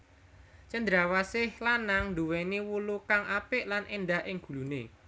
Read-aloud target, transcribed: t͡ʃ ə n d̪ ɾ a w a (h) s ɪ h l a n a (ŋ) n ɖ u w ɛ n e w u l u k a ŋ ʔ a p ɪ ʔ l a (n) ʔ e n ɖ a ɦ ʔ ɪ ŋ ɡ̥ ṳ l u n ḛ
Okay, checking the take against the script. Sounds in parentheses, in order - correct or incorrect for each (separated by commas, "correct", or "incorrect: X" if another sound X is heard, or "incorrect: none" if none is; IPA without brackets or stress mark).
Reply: incorrect: none, correct, correct